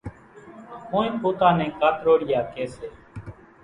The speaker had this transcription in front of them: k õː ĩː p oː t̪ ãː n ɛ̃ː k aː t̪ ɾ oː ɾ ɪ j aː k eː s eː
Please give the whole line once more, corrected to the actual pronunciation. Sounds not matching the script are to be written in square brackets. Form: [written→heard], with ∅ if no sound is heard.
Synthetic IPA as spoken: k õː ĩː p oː t̪ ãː n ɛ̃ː k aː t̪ ɾ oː [ɾ→ɽ] ɪ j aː k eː s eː